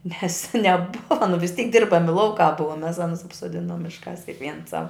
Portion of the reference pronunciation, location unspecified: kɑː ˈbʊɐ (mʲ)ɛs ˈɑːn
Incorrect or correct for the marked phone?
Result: correct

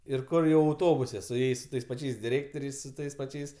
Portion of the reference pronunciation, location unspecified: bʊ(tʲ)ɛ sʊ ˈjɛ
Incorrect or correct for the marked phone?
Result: incorrect: sʲ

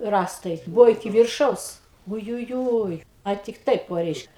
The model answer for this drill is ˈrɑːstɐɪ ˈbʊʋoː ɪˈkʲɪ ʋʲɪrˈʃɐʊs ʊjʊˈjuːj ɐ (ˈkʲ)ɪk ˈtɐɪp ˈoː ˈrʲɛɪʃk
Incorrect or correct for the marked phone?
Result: incorrect: tʲ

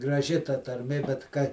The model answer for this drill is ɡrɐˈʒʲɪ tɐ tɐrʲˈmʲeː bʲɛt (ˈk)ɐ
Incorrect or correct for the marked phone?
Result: correct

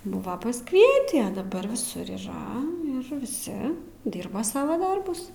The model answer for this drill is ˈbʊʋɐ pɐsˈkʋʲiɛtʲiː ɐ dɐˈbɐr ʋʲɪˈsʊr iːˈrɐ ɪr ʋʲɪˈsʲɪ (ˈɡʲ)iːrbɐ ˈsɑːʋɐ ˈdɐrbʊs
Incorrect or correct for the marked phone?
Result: incorrect: dʲ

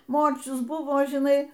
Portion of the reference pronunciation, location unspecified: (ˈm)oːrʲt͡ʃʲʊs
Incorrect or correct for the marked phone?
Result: correct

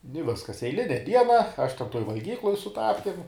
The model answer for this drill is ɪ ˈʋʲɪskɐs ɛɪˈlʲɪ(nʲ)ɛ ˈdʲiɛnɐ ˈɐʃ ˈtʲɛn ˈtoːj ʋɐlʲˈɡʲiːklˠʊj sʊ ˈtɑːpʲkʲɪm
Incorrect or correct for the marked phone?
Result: correct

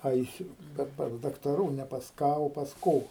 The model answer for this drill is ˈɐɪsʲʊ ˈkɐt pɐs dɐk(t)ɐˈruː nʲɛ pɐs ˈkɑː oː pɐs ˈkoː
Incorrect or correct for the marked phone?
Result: correct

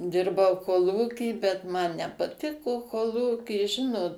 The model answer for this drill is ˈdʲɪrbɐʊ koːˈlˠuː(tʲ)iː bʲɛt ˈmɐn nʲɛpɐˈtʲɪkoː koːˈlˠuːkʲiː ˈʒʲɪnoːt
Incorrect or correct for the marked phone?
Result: incorrect: kʲ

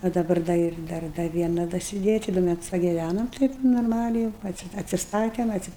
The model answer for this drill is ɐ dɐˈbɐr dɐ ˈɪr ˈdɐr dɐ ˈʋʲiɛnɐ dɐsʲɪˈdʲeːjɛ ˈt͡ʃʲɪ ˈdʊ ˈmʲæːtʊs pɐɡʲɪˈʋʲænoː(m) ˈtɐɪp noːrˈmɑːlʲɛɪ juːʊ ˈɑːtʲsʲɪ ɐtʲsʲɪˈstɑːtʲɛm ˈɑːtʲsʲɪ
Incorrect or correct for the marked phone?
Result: correct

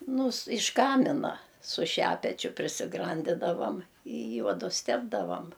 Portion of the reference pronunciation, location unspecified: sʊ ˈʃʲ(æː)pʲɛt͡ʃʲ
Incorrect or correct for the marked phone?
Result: correct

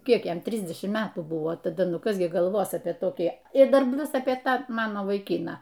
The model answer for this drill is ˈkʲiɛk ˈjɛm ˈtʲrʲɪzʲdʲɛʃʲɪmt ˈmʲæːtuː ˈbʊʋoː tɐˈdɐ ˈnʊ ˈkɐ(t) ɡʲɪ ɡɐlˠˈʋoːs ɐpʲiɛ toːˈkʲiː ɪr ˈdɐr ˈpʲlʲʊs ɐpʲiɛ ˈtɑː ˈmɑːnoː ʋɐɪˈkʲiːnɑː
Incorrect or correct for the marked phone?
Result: incorrect: s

